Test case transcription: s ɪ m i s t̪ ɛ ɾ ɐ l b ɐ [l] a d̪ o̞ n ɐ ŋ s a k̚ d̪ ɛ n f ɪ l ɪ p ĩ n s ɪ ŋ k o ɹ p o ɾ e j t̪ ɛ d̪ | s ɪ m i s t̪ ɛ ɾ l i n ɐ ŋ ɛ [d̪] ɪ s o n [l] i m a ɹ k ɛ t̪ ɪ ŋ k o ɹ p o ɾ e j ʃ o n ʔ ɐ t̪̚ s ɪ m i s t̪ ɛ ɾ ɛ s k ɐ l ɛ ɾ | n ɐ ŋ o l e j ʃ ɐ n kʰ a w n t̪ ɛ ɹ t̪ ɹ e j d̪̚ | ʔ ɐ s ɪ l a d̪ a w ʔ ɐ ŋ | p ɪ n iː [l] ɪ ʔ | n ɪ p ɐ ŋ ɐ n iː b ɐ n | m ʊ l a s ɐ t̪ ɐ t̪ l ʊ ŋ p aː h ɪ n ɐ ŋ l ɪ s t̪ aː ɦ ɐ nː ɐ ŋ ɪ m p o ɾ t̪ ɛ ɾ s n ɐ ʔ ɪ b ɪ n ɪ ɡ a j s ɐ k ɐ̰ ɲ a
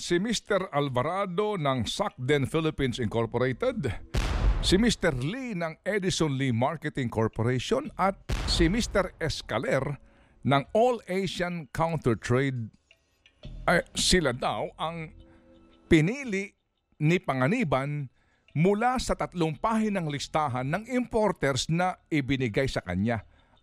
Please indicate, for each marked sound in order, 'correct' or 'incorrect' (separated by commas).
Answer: incorrect, correct, correct, correct